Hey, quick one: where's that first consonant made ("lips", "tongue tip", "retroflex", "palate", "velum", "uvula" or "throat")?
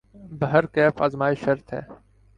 lips